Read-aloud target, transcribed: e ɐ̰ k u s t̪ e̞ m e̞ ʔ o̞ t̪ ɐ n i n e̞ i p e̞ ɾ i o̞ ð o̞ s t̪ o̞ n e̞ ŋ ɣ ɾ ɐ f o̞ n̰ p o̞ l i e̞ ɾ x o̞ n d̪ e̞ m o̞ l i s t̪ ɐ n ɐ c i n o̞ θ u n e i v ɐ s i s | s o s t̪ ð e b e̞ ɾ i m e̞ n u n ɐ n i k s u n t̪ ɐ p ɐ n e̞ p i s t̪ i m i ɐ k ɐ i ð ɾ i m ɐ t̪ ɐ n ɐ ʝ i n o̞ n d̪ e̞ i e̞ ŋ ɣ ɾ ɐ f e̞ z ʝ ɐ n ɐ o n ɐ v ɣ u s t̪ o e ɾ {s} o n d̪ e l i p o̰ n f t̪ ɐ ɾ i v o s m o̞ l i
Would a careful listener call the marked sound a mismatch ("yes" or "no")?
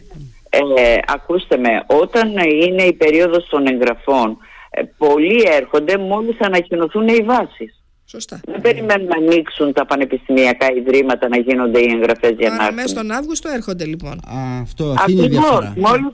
yes